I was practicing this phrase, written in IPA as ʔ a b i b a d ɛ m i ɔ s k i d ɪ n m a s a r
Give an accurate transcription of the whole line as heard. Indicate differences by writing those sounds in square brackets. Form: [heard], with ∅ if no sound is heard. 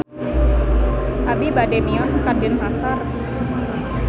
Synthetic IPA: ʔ a b i b a d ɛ m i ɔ s k [a] d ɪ n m a s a r